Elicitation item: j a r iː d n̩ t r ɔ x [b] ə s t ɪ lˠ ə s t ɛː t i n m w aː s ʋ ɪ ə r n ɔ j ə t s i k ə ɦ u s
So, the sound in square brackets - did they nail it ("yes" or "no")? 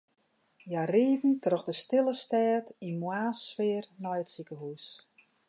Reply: no